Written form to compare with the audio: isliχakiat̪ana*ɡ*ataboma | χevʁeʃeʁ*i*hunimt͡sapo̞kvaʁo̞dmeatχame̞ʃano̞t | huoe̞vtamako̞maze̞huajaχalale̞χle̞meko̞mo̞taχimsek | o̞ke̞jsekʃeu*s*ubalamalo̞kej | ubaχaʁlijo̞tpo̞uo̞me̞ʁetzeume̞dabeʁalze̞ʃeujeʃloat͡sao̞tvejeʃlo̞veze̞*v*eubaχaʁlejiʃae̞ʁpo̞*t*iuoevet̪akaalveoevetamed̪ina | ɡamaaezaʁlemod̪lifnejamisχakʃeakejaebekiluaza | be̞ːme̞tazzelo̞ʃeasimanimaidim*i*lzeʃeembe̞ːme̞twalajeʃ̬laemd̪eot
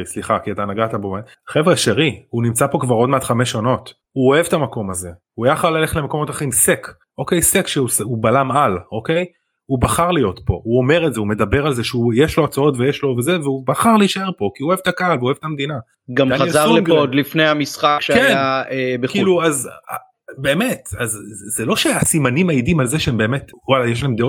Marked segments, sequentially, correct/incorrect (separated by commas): correct, correct, correct, correct, incorrect, incorrect